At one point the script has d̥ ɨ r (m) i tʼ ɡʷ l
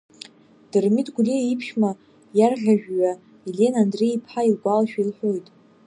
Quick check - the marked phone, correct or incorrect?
correct